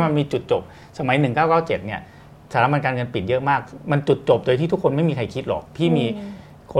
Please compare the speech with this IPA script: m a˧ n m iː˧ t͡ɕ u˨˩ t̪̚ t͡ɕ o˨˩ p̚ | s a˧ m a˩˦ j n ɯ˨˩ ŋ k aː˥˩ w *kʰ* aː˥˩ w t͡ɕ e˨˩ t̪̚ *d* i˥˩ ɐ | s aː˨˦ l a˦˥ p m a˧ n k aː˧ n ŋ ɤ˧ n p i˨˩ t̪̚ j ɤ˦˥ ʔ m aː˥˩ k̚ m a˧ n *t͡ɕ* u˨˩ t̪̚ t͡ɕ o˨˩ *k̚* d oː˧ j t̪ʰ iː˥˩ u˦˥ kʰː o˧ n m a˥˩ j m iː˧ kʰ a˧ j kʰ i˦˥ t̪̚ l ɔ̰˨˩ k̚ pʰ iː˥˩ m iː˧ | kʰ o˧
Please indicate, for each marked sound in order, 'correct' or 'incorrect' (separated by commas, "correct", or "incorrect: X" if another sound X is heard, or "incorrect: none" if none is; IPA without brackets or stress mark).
incorrect: k, incorrect: n, correct, incorrect: p̚